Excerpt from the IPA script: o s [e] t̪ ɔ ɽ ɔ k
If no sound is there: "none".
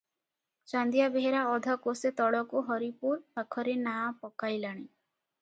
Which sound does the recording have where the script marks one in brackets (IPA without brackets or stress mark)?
e